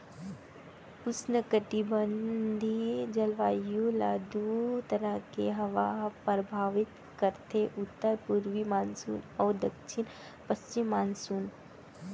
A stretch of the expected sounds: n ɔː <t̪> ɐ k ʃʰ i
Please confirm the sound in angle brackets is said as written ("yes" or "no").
no